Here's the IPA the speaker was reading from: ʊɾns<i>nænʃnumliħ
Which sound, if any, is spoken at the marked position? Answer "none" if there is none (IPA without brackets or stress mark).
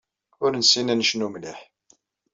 i